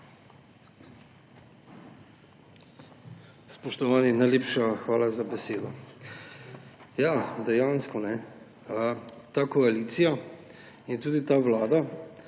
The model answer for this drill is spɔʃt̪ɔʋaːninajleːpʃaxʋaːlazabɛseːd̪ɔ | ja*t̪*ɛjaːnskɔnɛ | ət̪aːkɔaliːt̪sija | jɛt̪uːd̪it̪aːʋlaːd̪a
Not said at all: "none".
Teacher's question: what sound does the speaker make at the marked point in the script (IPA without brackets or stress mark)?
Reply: d̪